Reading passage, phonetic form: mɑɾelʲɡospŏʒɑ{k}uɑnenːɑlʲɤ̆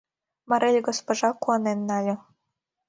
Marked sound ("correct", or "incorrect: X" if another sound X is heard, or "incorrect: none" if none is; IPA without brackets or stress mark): correct